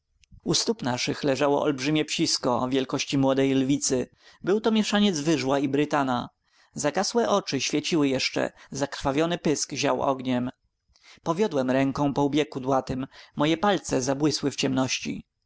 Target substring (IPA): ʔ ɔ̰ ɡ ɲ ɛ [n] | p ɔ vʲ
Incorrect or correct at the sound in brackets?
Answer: incorrect: m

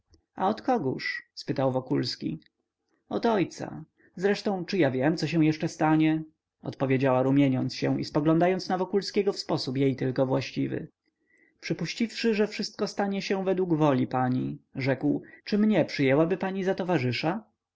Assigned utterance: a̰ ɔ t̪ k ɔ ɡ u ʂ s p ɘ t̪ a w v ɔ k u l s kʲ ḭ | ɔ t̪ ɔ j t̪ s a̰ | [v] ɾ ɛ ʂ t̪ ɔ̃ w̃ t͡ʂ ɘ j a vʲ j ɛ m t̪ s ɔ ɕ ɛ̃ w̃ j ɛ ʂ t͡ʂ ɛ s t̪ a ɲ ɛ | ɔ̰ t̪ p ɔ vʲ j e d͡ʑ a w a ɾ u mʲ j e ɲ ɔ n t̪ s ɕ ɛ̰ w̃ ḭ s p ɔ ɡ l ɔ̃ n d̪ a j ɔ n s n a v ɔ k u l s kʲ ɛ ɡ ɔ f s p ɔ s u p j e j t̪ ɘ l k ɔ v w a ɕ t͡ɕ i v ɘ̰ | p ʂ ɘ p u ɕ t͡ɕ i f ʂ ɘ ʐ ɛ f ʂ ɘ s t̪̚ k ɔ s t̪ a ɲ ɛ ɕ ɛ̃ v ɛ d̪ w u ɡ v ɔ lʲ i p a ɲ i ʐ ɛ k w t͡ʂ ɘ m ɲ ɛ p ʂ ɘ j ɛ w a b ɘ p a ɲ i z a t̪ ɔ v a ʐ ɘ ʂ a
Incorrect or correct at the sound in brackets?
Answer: incorrect: z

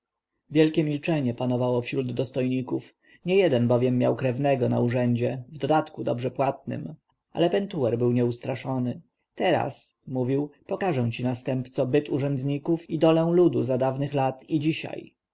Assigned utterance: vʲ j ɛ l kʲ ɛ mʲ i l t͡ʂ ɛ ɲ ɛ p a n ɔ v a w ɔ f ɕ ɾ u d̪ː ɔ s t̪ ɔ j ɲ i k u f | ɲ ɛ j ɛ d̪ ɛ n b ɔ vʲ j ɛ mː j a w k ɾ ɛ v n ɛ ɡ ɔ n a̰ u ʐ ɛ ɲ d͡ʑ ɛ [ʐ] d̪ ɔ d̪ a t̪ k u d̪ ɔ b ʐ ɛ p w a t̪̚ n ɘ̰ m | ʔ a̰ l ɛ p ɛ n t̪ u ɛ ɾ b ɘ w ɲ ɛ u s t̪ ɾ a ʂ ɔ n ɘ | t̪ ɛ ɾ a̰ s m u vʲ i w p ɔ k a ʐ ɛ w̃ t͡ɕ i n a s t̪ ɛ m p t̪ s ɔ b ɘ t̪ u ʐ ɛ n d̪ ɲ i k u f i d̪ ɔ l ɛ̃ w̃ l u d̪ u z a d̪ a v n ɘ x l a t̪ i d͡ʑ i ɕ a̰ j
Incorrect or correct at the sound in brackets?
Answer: incorrect: v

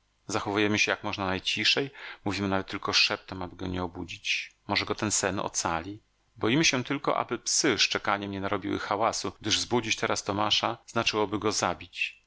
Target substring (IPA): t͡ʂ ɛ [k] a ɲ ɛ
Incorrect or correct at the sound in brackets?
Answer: correct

